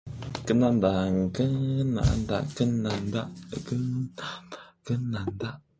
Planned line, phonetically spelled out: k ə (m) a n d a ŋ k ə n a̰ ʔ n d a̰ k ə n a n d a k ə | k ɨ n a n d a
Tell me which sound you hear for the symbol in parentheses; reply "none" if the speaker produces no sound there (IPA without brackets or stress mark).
n